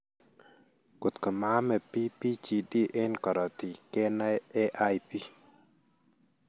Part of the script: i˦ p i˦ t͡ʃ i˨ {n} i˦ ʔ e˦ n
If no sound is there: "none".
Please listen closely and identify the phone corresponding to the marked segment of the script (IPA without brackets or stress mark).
d